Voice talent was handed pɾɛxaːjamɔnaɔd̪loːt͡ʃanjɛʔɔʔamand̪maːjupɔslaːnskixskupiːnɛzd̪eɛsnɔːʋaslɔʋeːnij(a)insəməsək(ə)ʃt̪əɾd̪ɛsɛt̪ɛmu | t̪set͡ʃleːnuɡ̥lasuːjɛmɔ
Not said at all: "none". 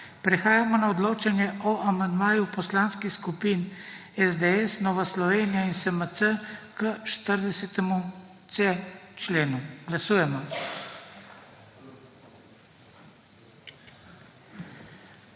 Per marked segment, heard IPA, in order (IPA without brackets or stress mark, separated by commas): a, ə